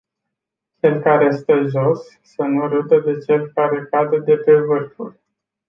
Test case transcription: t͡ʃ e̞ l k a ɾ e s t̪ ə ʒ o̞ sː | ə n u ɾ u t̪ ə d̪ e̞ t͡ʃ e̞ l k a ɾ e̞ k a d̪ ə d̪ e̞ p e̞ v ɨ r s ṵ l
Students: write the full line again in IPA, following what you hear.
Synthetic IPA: t͡ʃ e̞ l k a ɾ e s t̪ ə ʒ o̞ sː | ə n u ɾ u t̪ ə d̪ e̞ t͡ʃ e̞ l k a ɾ e̞ k a d̪ ə d̪ e̞ p e̞ v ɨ r f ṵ l